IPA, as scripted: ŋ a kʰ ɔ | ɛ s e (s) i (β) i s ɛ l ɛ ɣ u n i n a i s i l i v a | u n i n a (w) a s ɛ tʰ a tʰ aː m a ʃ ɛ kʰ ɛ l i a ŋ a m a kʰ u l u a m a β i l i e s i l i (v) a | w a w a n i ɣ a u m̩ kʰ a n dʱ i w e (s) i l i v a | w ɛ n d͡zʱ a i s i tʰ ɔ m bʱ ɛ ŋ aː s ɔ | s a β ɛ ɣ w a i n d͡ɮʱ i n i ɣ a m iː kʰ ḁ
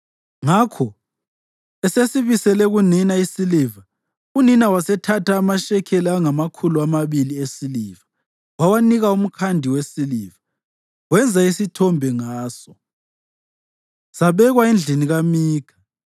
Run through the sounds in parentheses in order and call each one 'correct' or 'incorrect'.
correct, correct, correct, correct, correct

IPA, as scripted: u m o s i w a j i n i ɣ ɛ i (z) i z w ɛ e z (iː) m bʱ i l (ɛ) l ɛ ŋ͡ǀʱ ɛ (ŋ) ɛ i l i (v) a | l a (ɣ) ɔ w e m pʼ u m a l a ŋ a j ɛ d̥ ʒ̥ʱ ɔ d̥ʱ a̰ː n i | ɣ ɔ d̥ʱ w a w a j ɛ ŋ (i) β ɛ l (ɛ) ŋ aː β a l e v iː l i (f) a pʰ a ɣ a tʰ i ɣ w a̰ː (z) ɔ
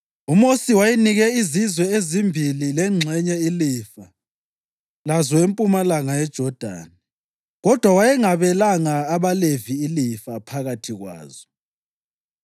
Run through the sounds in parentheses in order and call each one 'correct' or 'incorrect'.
correct, incorrect, incorrect, incorrect, incorrect, incorrect, incorrect, incorrect, correct, correct

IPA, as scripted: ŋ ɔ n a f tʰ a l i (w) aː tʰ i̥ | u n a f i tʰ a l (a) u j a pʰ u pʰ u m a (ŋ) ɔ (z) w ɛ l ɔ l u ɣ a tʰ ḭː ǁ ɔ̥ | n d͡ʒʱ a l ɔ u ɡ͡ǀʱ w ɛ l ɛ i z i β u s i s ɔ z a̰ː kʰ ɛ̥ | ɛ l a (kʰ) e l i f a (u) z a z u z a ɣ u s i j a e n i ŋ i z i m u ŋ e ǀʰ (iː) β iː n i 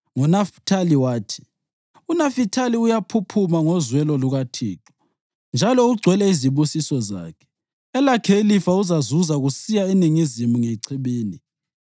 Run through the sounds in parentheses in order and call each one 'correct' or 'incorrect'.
correct, incorrect, correct, correct, correct, correct, incorrect

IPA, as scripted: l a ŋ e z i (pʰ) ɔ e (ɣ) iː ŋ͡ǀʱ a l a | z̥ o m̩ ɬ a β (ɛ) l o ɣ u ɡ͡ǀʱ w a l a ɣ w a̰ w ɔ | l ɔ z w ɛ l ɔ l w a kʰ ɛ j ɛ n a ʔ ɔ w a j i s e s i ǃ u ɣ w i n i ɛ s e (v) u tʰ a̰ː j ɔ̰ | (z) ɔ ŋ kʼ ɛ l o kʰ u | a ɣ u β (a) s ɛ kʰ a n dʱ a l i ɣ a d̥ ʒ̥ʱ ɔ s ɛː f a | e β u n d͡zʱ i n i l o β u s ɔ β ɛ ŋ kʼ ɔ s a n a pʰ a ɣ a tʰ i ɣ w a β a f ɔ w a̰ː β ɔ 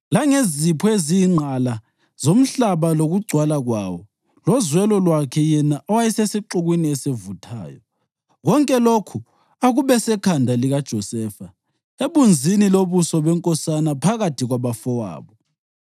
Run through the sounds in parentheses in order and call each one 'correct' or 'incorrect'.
correct, incorrect, incorrect, correct, incorrect, incorrect

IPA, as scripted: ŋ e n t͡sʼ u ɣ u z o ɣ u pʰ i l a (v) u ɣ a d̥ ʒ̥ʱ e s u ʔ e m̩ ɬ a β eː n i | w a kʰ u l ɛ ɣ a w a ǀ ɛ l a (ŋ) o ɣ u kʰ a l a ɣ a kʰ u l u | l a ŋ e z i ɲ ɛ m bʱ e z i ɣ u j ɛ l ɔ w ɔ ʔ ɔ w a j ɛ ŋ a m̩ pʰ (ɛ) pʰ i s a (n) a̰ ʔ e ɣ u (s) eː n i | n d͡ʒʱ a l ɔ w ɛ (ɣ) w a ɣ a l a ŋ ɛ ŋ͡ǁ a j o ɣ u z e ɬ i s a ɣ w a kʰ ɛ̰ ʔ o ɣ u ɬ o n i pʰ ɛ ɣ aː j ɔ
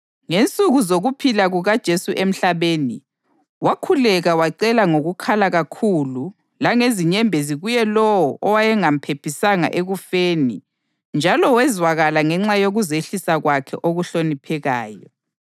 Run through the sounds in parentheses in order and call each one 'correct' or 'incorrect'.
incorrect, correct, incorrect, incorrect, incorrect, incorrect

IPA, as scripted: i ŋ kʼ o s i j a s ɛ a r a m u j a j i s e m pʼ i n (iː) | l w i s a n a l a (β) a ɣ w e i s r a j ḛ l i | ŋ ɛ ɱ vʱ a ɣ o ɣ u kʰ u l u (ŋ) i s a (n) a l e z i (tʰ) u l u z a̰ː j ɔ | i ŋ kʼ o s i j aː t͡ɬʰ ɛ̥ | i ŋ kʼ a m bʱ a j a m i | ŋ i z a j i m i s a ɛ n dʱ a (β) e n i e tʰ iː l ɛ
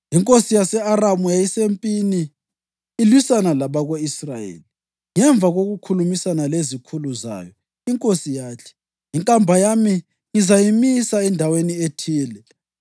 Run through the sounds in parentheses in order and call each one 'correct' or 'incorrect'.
correct, correct, incorrect, correct, incorrect, incorrect

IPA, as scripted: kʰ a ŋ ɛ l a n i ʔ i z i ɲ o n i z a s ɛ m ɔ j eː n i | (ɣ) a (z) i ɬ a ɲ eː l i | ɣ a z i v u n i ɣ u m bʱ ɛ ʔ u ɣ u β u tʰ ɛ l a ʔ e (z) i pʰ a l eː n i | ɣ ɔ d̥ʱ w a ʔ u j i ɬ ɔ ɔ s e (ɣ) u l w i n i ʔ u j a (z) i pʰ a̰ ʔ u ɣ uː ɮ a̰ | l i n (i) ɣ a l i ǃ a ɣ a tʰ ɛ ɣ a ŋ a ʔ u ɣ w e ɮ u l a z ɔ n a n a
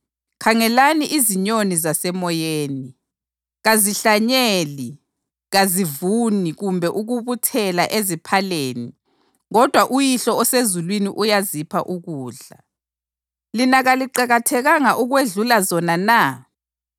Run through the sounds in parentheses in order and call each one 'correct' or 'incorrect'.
correct, correct, correct, incorrect, correct, incorrect

